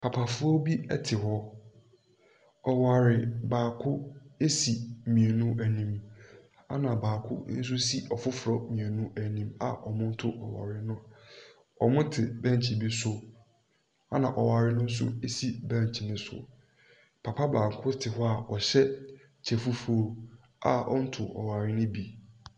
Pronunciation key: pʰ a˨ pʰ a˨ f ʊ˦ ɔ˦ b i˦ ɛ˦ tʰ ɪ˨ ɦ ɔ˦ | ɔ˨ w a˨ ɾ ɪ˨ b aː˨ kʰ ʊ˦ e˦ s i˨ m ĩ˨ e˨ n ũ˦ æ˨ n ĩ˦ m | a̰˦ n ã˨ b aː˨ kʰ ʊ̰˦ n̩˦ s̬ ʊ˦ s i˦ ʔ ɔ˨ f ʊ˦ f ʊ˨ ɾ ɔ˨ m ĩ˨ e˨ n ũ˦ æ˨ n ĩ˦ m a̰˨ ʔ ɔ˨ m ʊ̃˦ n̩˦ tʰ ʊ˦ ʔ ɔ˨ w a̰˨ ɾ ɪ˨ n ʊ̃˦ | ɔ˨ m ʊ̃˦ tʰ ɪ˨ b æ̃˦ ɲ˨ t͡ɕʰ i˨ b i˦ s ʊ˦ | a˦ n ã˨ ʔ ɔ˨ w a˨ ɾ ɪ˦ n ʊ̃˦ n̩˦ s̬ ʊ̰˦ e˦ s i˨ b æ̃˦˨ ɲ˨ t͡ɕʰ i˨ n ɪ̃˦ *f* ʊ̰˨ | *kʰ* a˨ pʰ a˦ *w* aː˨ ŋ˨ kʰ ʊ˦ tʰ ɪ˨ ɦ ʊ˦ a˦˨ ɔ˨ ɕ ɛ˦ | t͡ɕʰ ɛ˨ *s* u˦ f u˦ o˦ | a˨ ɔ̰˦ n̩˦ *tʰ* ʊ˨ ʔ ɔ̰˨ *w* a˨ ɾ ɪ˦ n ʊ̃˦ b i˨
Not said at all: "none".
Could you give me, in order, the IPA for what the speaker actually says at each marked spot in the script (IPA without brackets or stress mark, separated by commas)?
s, pʰ, b, f, tʰ, w